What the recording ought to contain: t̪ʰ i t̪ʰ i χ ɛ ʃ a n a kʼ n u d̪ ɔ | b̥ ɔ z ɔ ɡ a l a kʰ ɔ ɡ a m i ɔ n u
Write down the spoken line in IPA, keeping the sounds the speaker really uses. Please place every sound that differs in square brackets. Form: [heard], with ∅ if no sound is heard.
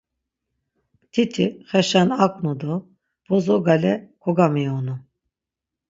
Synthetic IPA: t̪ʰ i t̪ʰ i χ ɛ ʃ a n a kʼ n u d̪ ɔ | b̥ ɔ z ɔ ɡ a l [ɛ] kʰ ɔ ɡ a m i ɔ n u